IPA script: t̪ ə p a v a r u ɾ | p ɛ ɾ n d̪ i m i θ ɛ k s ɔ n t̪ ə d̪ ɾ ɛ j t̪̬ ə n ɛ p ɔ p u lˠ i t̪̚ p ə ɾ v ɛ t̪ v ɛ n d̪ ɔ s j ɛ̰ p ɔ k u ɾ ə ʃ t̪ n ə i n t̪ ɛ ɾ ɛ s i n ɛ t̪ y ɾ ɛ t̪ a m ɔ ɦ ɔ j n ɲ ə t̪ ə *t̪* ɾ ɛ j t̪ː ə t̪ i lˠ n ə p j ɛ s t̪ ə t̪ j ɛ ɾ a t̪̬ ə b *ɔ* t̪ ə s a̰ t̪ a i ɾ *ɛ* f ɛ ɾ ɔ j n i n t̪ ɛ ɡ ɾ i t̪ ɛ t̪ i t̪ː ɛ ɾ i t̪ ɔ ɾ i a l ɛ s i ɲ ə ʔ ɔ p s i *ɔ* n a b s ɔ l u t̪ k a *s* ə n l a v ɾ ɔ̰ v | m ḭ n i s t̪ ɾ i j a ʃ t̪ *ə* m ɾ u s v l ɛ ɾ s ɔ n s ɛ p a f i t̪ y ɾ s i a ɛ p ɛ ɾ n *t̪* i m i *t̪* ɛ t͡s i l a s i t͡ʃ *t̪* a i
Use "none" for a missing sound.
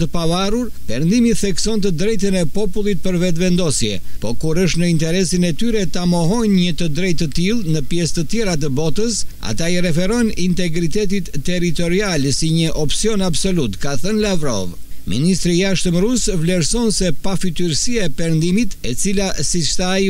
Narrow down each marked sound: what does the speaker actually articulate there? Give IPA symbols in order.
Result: d̪, ɔ, ɛ, ɔ, θ, ə, d̪, t̪, t̪

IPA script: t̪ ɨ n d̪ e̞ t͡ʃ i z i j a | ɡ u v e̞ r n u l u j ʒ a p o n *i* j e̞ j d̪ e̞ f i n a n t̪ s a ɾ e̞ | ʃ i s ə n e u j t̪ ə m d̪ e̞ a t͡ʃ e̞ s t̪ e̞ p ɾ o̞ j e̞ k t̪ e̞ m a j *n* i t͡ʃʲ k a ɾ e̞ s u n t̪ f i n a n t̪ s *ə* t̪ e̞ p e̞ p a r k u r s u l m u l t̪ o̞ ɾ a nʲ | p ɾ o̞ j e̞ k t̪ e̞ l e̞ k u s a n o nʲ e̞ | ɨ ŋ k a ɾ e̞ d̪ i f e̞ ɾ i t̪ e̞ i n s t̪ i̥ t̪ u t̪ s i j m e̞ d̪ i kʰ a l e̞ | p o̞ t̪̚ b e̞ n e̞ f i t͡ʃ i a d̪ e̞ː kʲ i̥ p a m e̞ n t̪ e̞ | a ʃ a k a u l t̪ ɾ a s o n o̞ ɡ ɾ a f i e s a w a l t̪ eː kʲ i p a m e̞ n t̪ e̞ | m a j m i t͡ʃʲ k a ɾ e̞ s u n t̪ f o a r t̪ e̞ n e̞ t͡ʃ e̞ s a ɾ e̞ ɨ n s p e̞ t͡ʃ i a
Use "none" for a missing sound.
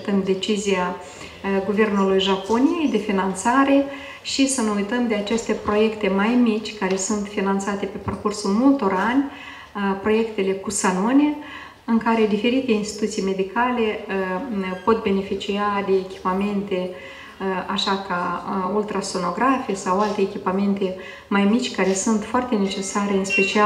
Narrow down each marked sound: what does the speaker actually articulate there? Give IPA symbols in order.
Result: i, m, a

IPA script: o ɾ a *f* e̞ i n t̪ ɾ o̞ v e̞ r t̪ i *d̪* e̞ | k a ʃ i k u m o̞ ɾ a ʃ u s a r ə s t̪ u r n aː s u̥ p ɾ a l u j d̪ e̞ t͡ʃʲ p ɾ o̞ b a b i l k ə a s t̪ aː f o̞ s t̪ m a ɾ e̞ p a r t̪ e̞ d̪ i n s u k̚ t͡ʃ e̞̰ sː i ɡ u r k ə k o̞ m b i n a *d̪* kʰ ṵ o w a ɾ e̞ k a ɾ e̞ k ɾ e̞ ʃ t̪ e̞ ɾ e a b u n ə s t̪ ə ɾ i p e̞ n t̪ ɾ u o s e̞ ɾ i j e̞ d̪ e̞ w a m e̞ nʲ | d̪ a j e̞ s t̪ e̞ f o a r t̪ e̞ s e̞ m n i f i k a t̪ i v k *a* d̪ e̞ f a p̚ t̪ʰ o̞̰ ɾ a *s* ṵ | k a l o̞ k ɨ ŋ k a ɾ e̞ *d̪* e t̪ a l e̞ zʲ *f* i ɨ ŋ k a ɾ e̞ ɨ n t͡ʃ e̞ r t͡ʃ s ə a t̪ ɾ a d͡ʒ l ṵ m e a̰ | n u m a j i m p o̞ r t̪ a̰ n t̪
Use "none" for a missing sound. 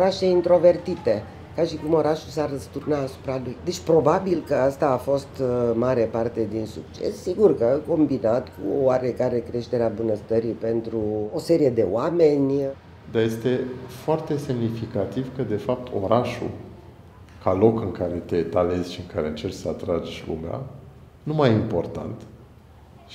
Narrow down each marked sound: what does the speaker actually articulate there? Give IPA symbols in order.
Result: ʃ, t̪, t̪, ə, ʃ, t̪, ʃ

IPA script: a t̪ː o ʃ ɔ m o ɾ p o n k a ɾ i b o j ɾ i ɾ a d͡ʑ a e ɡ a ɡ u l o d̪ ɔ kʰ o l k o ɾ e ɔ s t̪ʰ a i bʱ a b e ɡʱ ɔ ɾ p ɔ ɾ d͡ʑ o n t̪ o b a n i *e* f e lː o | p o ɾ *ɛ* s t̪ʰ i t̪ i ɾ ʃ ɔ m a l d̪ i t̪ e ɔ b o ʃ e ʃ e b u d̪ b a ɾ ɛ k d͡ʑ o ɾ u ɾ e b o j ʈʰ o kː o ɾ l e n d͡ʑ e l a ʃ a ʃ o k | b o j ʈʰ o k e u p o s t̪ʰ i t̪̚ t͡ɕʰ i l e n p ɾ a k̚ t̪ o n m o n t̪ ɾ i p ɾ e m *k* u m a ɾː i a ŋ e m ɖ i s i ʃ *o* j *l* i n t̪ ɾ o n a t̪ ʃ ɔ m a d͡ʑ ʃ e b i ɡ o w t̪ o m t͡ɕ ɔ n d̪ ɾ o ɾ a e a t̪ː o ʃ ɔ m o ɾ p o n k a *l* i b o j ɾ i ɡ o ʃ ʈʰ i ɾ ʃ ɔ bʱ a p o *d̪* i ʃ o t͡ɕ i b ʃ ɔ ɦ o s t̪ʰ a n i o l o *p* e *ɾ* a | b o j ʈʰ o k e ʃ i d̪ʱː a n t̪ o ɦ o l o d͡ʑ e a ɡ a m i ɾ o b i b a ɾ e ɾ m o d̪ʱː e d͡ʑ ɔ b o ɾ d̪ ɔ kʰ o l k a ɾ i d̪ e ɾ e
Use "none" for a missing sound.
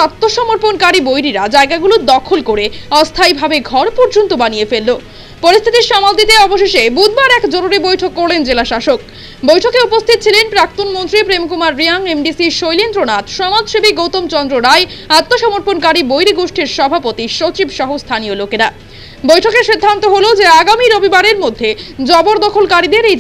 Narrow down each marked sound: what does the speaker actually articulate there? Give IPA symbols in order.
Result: e, i, k, o, l, ɾ, t̪, k, ɾ

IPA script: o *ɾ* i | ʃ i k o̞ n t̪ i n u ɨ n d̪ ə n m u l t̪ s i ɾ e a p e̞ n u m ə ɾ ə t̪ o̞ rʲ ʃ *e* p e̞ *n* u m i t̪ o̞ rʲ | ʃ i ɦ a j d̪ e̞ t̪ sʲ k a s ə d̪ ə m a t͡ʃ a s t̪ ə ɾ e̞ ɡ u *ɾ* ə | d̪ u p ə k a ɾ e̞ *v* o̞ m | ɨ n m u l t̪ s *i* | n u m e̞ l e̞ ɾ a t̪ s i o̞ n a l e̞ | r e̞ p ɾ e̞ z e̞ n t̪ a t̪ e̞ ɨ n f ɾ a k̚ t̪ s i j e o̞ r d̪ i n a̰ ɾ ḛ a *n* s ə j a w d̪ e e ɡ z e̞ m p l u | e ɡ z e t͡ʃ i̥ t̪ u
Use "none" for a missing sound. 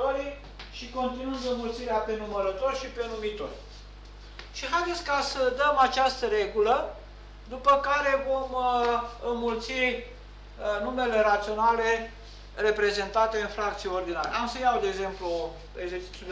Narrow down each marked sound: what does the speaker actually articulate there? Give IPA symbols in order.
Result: ɾ, i, n, l, v, i, m

